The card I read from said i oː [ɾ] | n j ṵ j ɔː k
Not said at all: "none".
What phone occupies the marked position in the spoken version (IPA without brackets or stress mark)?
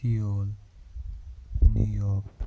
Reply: l